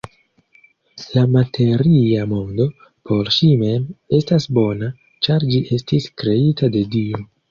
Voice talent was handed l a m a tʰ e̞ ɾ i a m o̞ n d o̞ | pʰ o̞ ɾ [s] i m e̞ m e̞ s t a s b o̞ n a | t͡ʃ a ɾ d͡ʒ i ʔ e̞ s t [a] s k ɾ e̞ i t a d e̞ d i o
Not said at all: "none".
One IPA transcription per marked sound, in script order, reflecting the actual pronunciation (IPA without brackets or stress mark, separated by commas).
ʃ, i